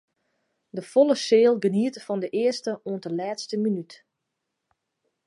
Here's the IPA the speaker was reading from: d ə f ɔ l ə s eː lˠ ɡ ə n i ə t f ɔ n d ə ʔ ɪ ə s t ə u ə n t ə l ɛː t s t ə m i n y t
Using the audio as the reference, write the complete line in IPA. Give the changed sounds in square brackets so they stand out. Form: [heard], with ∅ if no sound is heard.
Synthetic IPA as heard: d ə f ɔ l ə s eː lˠ ɡ ə n i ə t f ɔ n d ə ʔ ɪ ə s t ə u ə n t ə l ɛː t s t ə m i n y t

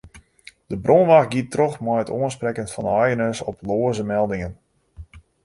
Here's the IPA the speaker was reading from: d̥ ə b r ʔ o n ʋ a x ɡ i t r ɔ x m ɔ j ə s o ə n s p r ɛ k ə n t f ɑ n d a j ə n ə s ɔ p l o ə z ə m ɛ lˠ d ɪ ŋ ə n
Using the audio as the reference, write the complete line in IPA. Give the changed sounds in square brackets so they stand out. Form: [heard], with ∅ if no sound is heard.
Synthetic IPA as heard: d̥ ə b r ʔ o n ʋ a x ɡ i t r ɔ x m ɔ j ə [t] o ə n s p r ɛ k ə n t f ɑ n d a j ə n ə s ɔ p l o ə z ə m ɛ lˠ d ɪ ŋ ə n

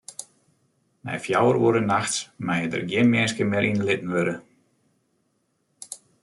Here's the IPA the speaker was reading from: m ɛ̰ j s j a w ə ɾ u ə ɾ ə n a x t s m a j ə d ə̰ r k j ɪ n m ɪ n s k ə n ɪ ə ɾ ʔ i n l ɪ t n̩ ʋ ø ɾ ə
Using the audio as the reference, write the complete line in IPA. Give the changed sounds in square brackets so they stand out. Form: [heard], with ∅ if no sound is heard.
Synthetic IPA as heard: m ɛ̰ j [f] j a w ə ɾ u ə ɾ ə n a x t s m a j ə d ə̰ r [ɡ] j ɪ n m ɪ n s k ə [m] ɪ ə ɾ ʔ i n l ɪ t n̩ ʋ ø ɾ ə

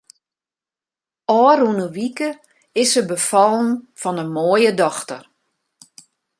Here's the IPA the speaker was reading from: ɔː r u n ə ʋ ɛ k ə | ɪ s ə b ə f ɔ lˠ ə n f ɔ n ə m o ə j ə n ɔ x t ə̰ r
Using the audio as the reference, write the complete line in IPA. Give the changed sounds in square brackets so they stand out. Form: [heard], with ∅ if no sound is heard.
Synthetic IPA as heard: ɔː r u n ə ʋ [i] k ə | ɪ s ə b ə f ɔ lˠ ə n f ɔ n ə m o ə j ə [d] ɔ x t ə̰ r

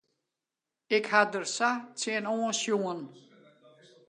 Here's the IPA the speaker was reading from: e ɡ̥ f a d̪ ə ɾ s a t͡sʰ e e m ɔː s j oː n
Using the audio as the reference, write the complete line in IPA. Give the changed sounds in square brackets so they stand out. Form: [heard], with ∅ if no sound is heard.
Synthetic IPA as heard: e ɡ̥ [h] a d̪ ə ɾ s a t͡sʰ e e [n] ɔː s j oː n

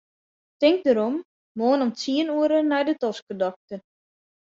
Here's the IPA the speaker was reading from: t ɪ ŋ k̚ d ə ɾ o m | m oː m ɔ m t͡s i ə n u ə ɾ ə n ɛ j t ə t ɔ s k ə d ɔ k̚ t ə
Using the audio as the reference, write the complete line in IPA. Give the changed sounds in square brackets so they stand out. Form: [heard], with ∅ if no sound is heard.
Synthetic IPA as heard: t ɪ ŋ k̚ d ə ɾ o m | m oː [n] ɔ m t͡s i ə n u ə ɾ ə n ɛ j [d] ə t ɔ s k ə d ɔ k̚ t ə

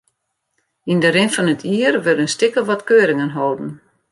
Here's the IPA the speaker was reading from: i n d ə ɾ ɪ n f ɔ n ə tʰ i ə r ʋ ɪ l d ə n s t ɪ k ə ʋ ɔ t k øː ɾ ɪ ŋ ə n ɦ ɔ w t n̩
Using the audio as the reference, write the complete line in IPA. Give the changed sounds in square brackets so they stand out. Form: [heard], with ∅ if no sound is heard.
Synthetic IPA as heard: i n d ə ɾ ɪ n f ɔ n ə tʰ i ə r ʋ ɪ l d ə n s t ɪ k ə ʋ ɔ t k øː ɾ ɪ ŋ ə n ɦ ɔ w [d] n̩

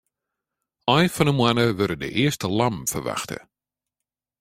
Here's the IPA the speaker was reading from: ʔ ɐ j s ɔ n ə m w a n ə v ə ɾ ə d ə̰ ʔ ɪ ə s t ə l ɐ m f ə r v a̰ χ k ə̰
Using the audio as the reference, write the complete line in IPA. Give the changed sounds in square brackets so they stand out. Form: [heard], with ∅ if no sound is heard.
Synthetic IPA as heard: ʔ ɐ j [f] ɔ n ə m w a n ə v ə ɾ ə d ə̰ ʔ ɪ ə s t ə l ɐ m f ə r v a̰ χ [t] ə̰

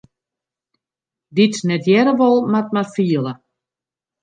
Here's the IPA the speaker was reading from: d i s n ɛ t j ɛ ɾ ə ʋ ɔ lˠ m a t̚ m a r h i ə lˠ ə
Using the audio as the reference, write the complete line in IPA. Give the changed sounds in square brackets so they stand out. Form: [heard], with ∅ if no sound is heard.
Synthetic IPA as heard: d i [t] n ɛ t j ɛ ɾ ə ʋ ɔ lˠ m a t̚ m a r [f] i ə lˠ ə

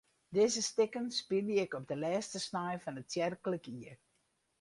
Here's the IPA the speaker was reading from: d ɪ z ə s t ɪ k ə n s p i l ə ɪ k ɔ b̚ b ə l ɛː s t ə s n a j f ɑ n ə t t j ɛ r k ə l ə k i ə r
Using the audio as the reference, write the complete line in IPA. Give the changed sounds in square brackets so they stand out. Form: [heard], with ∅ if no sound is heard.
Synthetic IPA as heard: d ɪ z ə s t ɪ k ə n s p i l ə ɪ k ɔ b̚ [d] ə l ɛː s t ə s n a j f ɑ n ə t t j ɛ r k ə l ə k i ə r

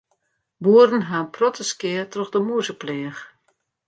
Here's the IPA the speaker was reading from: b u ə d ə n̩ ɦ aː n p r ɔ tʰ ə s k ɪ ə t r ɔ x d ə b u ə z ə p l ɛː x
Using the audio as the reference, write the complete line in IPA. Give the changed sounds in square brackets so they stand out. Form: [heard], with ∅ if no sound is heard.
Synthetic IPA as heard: b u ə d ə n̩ ɦ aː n p r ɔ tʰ ə s k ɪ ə t r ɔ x d ə [m] u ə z ə p l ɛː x

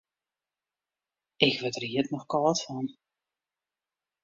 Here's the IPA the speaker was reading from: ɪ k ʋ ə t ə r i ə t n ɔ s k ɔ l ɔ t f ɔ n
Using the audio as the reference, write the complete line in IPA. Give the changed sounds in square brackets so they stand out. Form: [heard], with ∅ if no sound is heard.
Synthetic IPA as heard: ɪ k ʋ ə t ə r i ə t n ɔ [x] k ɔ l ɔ t f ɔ n

